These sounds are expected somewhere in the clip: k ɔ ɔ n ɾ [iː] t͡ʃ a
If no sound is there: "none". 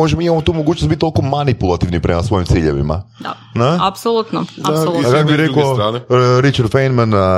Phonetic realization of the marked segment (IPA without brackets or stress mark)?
i